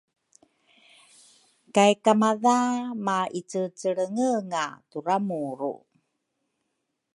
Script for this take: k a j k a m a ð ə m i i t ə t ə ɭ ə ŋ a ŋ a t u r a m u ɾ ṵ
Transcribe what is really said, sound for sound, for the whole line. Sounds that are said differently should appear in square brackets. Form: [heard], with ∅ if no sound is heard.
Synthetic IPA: k a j k a m a ð [a] m [a] i [t͡s] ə [t͡s] ə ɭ ə ŋ [ə] ŋ a t u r a m u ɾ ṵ